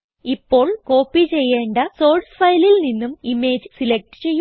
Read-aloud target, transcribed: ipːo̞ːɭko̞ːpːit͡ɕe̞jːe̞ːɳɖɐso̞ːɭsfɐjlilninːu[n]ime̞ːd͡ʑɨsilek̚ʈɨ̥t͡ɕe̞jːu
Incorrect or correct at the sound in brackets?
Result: incorrect: m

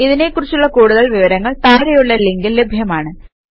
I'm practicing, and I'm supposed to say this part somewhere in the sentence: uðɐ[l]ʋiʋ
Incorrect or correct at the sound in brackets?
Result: incorrect: ɭ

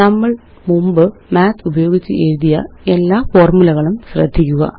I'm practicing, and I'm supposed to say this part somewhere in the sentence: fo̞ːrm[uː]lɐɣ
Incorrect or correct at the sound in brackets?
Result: incorrect: u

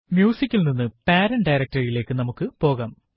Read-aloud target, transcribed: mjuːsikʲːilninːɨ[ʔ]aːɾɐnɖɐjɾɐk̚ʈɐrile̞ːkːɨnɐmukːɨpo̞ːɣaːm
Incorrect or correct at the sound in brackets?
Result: incorrect: p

